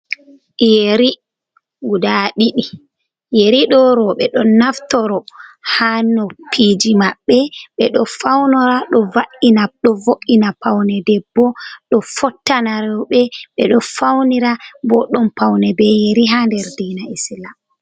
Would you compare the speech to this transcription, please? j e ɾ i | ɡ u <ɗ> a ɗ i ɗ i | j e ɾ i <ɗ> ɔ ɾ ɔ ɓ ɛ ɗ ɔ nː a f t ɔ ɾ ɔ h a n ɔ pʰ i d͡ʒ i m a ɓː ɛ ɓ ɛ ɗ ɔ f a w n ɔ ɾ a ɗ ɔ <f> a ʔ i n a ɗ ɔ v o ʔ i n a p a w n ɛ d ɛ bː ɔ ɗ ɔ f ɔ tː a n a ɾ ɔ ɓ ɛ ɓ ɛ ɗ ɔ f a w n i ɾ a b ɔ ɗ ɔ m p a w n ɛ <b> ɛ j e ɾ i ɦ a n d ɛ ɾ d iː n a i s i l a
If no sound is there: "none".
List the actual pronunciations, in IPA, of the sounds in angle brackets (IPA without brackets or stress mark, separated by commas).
d, ɗ, v, b